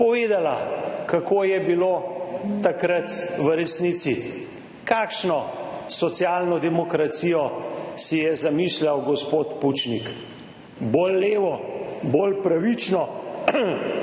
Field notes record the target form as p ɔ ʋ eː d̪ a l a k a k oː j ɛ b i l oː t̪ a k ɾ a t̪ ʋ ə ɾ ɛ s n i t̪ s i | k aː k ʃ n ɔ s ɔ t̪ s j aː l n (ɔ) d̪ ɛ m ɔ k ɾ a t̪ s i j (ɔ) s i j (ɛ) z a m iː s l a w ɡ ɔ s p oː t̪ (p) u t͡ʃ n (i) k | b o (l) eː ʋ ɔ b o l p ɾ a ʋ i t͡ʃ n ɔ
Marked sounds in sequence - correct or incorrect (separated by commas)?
correct, correct, correct, correct, correct, incorrect